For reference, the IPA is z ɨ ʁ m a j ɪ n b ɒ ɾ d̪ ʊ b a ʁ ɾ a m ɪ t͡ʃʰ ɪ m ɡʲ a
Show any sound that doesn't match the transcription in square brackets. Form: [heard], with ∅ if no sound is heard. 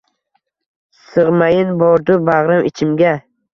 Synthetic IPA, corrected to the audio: [s] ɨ ʁ m a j ɪ n b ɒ ɾ d̪ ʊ b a ʁ ɾ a m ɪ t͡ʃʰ ɪ m ɡʲ a